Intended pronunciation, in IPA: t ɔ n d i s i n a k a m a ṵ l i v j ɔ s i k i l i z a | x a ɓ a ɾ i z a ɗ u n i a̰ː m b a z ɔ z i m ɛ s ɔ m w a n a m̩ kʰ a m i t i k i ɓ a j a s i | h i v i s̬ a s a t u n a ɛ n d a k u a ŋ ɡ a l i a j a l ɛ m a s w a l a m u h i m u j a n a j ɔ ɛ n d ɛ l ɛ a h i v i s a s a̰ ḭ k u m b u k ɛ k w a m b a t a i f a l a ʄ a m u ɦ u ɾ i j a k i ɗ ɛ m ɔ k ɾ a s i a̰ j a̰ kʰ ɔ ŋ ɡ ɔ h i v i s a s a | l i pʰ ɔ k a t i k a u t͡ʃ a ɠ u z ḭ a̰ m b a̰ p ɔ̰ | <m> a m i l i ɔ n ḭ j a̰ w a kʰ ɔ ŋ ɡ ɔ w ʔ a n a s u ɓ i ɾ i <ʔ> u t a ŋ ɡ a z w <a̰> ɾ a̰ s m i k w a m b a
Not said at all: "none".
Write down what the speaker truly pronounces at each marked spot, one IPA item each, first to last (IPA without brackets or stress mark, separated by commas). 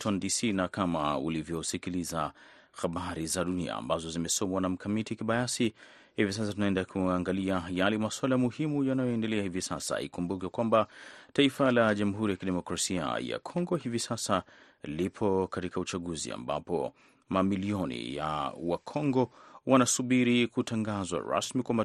m, k, a̰